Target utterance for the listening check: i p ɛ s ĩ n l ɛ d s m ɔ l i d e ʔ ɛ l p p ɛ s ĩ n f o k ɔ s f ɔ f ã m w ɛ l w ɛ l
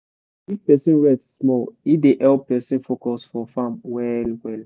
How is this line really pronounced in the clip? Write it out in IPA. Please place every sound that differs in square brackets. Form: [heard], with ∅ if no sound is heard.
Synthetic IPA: i p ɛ s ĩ n [ɹ] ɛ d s m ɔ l i d e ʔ ɛ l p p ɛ s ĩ n f o k ɔ s f ɔ f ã m w ɛ l w ɛ l